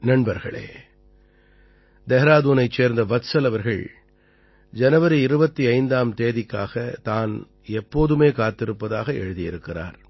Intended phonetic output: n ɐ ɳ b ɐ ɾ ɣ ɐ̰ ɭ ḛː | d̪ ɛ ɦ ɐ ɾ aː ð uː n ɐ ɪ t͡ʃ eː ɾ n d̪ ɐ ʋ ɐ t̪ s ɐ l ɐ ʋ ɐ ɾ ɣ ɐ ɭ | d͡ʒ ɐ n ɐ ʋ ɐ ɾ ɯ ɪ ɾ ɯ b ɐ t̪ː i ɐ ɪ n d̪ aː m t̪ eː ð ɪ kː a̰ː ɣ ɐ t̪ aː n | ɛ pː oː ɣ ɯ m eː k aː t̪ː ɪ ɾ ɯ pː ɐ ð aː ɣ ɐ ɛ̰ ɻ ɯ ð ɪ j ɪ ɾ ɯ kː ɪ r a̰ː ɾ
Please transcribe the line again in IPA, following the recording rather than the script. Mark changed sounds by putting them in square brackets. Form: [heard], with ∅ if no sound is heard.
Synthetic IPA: n ɐ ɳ b ɐ ɾ ɣ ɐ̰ ɭ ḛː | d̪ ɛ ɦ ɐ ɾ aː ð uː n ɐ ɪ t͡ʃ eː ɾ n d̪ ɐ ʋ ɐ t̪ s ɐ l ɐ ʋ ɐ ɾ ɣ ɐ ɭ | d͡ʒ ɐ n ɐ ʋ ɐ ɾ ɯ ɪ ɾ ɯ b ɐ t̪ː i ɐ ɪ n d̪ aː m t̪ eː ð ɪ kː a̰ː ɣ ɐ t̪ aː n | ɛ pː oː [ð] ɯ m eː k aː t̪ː ɪ ɾ ɯ pː ɐ ð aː ɣ ɐ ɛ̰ ɻ ɯ ð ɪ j ɪ ɾ ɯ kː ɪ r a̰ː ɾ